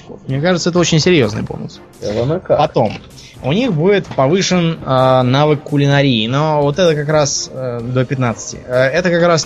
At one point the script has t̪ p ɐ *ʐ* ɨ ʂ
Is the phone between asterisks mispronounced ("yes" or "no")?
yes